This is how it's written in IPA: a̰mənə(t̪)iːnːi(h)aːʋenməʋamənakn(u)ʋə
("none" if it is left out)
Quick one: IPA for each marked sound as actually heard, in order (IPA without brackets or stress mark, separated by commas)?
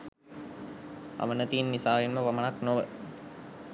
t̪, s, o